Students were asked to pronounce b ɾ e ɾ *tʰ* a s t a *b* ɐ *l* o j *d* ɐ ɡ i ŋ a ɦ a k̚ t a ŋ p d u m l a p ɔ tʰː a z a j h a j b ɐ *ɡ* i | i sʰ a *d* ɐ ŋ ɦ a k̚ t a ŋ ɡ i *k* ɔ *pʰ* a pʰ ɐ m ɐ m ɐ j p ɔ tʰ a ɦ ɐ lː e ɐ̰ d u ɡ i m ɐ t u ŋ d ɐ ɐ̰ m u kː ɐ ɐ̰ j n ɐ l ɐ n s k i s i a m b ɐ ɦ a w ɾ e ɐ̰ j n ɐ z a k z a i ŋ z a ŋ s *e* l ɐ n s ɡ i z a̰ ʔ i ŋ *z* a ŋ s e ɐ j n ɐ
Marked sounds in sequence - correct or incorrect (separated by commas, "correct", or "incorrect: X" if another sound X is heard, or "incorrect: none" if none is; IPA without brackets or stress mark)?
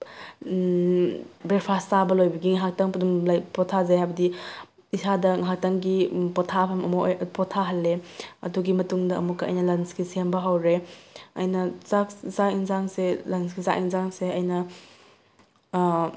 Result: incorrect: pʰ, correct, correct, incorrect: b, incorrect: d, correct, incorrect: p, incorrect: tʰ, correct, correct